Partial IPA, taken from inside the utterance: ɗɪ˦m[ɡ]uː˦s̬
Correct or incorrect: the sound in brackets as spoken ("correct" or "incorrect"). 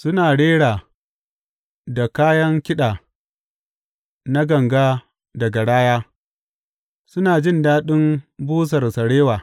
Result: incorrect